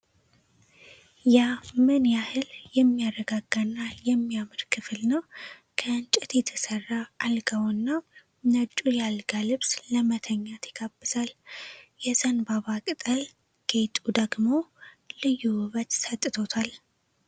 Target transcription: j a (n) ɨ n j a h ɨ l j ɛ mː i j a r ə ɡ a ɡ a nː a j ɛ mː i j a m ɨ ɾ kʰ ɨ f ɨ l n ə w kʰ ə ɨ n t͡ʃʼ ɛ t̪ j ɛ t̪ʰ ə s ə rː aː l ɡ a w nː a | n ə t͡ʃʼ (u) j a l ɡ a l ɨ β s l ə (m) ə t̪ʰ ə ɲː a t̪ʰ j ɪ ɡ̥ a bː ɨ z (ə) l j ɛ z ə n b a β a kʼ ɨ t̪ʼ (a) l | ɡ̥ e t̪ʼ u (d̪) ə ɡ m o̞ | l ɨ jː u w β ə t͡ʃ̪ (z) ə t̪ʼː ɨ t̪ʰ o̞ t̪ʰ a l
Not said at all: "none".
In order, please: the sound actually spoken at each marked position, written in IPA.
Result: m, u, m, a, ə, d̪, s

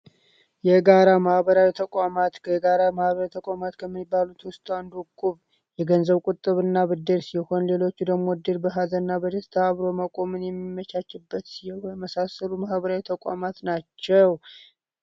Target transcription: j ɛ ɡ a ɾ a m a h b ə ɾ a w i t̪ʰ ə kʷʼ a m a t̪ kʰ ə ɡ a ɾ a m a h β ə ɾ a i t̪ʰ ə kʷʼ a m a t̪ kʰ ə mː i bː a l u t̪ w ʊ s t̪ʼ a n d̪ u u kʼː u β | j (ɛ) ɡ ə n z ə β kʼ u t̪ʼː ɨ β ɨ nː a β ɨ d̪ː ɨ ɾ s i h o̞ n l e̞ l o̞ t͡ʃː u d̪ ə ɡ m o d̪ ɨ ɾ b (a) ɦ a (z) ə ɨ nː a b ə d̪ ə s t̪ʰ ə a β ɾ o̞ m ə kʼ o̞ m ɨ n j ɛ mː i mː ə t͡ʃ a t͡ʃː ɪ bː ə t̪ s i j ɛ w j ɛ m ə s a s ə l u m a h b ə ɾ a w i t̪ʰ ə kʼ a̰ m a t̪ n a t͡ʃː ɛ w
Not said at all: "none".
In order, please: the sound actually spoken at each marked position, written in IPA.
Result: ɛ, ə, z

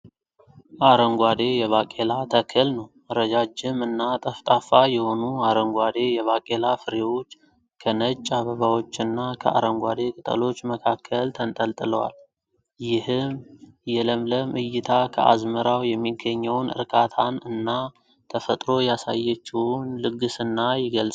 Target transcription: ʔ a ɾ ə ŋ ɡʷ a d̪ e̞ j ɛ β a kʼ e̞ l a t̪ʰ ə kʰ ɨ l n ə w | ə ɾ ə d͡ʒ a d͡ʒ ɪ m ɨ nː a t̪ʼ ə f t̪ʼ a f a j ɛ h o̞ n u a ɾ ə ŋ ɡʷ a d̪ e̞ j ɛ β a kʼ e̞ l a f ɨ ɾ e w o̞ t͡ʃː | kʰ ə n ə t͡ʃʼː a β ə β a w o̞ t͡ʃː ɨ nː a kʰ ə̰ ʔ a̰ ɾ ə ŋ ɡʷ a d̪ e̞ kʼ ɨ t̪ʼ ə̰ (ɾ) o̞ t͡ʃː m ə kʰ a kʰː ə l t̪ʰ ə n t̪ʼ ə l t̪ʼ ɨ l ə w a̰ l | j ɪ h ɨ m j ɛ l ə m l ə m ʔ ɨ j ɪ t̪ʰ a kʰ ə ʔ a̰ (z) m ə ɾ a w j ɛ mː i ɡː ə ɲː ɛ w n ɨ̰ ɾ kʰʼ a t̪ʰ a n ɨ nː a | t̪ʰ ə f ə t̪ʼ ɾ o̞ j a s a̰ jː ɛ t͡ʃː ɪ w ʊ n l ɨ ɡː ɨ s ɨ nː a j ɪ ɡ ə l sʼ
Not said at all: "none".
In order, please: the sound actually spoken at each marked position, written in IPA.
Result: l, z

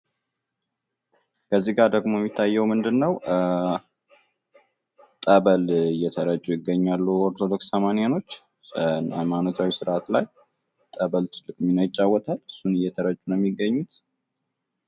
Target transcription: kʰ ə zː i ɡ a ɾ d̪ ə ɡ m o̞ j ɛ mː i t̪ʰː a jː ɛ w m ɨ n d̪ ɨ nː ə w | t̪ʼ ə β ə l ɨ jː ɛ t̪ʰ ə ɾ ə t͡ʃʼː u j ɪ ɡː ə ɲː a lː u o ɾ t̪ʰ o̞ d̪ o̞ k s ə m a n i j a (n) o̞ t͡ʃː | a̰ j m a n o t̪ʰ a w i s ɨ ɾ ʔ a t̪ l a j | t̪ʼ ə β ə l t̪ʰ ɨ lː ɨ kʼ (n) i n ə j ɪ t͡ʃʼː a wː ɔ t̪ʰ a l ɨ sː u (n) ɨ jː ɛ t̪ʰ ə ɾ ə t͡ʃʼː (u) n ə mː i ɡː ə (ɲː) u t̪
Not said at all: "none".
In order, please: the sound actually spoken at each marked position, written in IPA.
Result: n, m, n, u, ɲː

